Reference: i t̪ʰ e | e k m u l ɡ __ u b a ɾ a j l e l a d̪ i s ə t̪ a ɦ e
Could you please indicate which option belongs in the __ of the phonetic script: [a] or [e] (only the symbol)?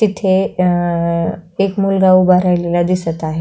a